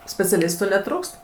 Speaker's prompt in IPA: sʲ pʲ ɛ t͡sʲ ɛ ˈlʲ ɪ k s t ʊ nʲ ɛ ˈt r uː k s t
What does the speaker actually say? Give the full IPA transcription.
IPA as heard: sʲ pʲ ɛ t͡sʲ ɛ ˈlʲ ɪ s t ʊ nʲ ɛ ˈt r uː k s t